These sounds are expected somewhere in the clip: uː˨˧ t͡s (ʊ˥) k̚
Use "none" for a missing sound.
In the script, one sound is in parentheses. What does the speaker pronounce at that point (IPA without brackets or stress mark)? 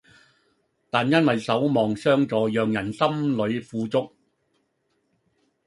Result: ʊ˥